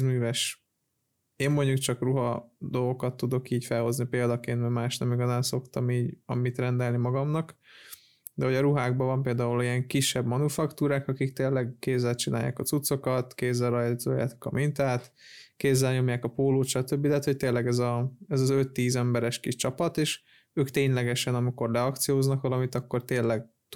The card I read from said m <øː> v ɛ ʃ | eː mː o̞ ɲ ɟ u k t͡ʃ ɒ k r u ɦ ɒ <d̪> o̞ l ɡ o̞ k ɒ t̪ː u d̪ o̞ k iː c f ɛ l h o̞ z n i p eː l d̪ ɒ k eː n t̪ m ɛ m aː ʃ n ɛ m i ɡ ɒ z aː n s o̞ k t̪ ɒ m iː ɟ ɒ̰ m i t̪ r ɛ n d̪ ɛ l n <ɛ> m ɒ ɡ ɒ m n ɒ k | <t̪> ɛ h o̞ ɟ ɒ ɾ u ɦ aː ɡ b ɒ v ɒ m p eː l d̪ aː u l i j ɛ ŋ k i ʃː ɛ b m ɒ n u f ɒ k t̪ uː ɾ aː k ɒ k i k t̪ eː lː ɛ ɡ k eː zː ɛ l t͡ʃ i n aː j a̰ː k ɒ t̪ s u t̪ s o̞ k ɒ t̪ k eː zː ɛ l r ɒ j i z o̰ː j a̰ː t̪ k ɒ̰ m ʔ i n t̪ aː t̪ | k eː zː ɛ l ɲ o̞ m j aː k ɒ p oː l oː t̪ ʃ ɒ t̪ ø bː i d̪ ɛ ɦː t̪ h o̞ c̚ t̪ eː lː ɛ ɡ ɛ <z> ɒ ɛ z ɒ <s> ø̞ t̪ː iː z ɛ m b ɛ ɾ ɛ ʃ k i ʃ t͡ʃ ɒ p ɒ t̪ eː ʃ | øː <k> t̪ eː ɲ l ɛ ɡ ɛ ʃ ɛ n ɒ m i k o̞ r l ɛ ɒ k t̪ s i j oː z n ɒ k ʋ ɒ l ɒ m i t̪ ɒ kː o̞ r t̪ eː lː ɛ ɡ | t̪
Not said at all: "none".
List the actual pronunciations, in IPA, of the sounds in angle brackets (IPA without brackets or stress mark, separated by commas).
yː, d̪, i, d̪, z, z, k